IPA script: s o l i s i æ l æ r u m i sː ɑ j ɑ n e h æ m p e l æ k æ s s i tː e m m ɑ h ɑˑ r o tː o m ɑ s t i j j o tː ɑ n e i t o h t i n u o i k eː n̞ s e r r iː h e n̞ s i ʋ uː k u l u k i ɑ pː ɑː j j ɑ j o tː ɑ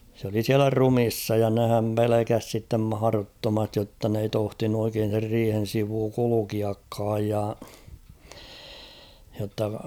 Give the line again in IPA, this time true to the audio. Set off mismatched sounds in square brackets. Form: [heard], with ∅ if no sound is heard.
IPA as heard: s o l i s i æ l æ r u m i sː ɑ j ɑ n e h æ m p e l [e] k æ s s i tː e m m ɑ h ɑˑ r o tː o m ɑ s t i j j o tː ɑ n e i t o h t i n u o i k eː n̞ s e r r iː h e n̞ s i ʋ uː k u l u k i ɑ [kː] ɑː j j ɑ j o tː ɑ

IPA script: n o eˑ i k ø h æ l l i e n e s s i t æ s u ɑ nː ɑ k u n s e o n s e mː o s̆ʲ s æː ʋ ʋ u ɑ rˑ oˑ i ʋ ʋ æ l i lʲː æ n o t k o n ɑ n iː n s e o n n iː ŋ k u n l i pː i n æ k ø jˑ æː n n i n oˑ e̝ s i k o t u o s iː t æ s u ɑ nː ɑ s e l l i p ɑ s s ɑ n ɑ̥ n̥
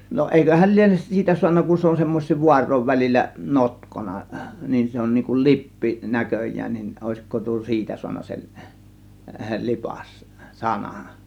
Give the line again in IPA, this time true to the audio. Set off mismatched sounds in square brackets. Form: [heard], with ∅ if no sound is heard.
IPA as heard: n o eˑ i k ø h æ l l i e n e s s [iː] t æ s u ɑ nː ɑ k u n s e o n s e mː o s̆ʲ s [iː] ʋ ʋ u ɑ rˑ oˑ i ʋ ʋ æ l i lʲː æ n o t k o n ɑ n iː n s e o n n iː ŋ k u n l i pː i n æ k ø jˑ æː n n i n oˑ e̝ s i k o t u o s iː t æ s u ɑ nː ɑ s e l l i p ɑ s s ɑ n ɑ̥ n̥

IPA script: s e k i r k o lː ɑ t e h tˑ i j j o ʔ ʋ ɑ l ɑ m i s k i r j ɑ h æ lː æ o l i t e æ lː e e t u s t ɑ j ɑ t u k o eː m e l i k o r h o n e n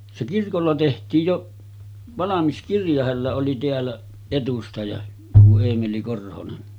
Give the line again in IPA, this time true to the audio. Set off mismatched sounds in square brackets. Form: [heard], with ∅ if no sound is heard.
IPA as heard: s e k i r k o lː ɑ t e h tˑ [iː] j j o ʔ ʋ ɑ l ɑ m i s k i r j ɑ h æ lː æ o l i t e æ lː [æ] e t u s t ɑ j ɑ t u [∅] o eː m e l i k o r h o n e n

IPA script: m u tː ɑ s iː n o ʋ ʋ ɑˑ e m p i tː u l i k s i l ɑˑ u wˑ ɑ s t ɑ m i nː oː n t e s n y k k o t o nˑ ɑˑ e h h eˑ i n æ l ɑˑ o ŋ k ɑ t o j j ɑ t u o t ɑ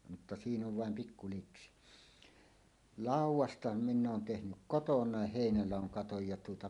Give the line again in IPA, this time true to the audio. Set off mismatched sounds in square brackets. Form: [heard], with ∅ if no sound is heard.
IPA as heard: m u tː ɑ s iː n o ʋ ʋ ɑˑ e m p i [kː] u l i k s i l ɑˑ u wˑ ɑ s t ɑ m i nː oː n t e [h] n y k k o t o nˑ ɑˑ e h h eˑ i n æ l ɑˑ o ŋ k ɑ t o j j ɑ t u o t ɑ

